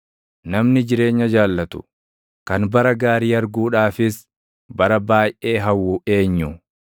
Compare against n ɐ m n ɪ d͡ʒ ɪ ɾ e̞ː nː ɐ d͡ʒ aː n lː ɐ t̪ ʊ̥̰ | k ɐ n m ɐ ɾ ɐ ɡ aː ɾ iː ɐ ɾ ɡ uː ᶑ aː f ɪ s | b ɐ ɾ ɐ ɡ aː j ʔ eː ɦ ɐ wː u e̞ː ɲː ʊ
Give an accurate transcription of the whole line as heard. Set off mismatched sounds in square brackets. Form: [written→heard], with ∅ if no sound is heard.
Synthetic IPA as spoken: n ɐ m n ɪ d͡ʒ ɪ ɾ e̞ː [nː→ɲː] ɐ d͡ʒ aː [n→∅] lː ɐ t̪ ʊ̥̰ | k ɐ n [m→b] ɐ ɾ ɐ ɡ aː ɾ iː ɐ ɾ ɡ uː ᶑ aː f ɪ s | b ɐ ɾ ɐ [ɡ→b] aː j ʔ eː ɦ ɐ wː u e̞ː ɲː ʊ

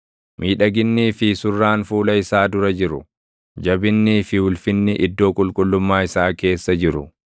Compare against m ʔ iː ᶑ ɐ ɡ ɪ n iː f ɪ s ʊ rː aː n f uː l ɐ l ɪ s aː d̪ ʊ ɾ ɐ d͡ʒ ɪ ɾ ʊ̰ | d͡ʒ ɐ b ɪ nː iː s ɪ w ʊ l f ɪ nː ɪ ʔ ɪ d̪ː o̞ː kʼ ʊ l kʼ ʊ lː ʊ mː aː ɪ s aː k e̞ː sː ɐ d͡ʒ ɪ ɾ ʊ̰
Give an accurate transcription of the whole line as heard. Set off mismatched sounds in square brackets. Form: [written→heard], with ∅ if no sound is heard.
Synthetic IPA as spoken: m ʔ iː ᶑ ɐ ɡ ɪ [n→nː] iː f ɪ s ʊ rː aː n f uː l ɐ [l→∅] ɪ s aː d̪ ʊ ɾ ɐ d͡ʒ ɪ ɾ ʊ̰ | d͡ʒ ɐ b ɪ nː iː [s→f] ɪ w ʊ l f ɪ nː ɪ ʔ ɪ d̪ː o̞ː kʼ ʊ l kʼ ʊ lː ʊ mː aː ɪ s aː k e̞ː sː ɐ d͡ʒ ɪ ɾ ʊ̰

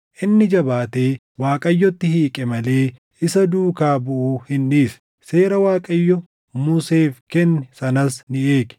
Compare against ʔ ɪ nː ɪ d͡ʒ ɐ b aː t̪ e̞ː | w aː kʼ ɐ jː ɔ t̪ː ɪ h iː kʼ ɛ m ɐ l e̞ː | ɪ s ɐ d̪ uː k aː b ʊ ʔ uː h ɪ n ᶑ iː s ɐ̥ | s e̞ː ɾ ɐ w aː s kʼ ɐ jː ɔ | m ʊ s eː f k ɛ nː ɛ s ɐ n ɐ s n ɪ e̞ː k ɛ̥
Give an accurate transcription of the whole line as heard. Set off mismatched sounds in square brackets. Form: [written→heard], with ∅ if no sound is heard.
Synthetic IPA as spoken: ʔ ɪ nː ɪ d͡ʒ ɐ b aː t̪ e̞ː | w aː kʼ ɐ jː ɔ t̪ː ɪ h iː kʼ ɛ m ɐ l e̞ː | ɪ s ɐ d̪ uː k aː b ʊ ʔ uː h ɪ n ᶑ iː s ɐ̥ | s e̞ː ɾ ɐ w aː [s→∅] kʼ ɐ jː ɔ | m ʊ s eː f k ɛ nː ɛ s ɐ n ɐ s n ɪ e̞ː k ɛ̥

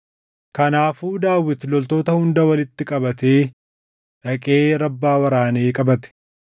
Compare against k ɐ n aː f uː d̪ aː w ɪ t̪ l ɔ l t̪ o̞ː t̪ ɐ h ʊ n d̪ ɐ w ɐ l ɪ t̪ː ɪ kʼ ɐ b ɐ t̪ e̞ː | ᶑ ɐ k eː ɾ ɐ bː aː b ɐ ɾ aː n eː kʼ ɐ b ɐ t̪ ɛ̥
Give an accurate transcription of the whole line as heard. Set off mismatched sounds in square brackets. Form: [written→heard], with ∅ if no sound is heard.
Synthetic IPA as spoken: k ɐ n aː f uː d̪ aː w ɪ t̪ l ɔ l t̪ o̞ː t̪ ɐ h ʊ n d̪ ɐ w ɐ l ɪ t̪ː ɪ kʼ ɐ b ɐ t̪ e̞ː | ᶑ ɐ [k→kʼ] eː ɾ ɐ bː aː [b→w] ɐ ɾ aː n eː kʼ ɐ b ɐ t̪ ɛ̥

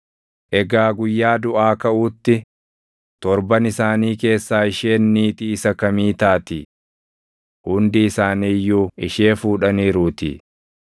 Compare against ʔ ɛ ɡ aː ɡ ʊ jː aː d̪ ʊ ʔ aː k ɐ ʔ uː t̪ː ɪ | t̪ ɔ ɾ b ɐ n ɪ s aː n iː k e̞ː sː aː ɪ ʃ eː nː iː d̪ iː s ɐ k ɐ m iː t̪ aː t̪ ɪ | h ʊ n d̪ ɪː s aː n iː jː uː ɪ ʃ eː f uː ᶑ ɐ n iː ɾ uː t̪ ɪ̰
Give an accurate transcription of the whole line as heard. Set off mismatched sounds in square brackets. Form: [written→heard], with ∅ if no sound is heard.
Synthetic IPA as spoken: ʔ ɛ ɡ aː ɡ ʊ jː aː d̪ ʊ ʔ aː k ɐ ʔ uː t̪ː ɪ | t̪ ɔ ɾ b ɐ n ɪ s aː n iː k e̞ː sː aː ɪ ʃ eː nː iː [d̪→t̪] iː s ɐ k ɐ m iː t̪ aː t̪ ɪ | h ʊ n d̪ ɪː s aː n iː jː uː ɪ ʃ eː f uː ᶑ ɐ n iː ɾ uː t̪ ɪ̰

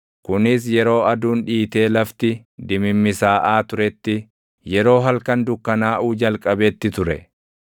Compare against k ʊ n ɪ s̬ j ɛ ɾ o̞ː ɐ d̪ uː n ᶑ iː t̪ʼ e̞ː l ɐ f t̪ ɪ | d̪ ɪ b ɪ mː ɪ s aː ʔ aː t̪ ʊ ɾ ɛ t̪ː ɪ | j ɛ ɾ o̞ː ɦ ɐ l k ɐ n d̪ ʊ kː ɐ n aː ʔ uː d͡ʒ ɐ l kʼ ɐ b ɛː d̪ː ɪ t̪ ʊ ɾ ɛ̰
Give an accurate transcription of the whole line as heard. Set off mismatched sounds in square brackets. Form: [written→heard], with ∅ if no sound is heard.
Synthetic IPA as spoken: k ʊ n ɪ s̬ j ɛ ɾ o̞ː ɐ d̪ uː n ᶑ iː [t̪ʼ→t̪] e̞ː l ɐ f t̪ ɪ | d̪ ɪ [b→m] ɪ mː ɪ s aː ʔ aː t̪ ʊ ɾ ɛ t̪ː ɪ | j ɛ ɾ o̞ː ɦ ɐ l k ɐ n d̪ ʊ kː ɐ n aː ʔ uː d͡ʒ ɐ l kʼ ɐ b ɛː [d̪ː→t̪ː] ɪ t̪ ʊ ɾ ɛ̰

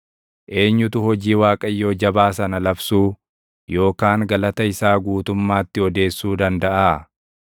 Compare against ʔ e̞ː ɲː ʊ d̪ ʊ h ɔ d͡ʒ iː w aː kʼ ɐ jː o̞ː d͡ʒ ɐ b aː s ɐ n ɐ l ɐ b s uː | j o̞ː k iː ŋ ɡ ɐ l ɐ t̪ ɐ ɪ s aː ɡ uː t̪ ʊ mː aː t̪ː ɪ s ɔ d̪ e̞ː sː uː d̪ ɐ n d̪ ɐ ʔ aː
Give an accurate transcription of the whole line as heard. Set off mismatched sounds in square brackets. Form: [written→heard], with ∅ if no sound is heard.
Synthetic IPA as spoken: ʔ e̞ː ɲː ʊ [d̪→t̪] ʊ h ɔ d͡ʒ iː w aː kʼ ɐ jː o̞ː d͡ʒ ɐ b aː s ɐ n ɐ l ɐ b s uː | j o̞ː k [iː→aː] ŋ ɡ ɐ l ɐ t̪ ɐ ɪ s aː ɡ uː t̪ ʊ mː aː t̪ː ɪ [s→∅] ɔ d̪ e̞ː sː uː d̪ ɐ n d̪ ɐ ʔ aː

